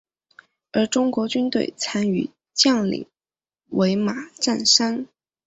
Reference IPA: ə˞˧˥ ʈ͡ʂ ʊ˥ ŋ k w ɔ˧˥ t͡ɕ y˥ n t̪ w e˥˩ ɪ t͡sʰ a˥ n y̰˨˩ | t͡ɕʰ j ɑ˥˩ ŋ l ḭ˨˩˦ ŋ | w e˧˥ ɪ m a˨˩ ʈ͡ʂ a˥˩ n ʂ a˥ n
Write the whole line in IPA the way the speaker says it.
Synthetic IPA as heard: ə˞˧˥ ʈ͡ʂ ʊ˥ ŋ k w ɔ˧˥ t͡ɕ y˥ n t̪ w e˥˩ ɪ t͡sʰ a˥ n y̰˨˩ | t͡ɕ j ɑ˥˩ ŋ l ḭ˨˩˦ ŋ | w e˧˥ ɪ m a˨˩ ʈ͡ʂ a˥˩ n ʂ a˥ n